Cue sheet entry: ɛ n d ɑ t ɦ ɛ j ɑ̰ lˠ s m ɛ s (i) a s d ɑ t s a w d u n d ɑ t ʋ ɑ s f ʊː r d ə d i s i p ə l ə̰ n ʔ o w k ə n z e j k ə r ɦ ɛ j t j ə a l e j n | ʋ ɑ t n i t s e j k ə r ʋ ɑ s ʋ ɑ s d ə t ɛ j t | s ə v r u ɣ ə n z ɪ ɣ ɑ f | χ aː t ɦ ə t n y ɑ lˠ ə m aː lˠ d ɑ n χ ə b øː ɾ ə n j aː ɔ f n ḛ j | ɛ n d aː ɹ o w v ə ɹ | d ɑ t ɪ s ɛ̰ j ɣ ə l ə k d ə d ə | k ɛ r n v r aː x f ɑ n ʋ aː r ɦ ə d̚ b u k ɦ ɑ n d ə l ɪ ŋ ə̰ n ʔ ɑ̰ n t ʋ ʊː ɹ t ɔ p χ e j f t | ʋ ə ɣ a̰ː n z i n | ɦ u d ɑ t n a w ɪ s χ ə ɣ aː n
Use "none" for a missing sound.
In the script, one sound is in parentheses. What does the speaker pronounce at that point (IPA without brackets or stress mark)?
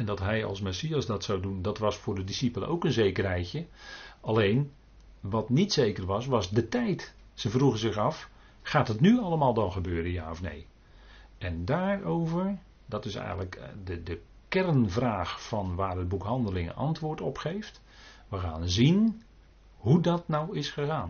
i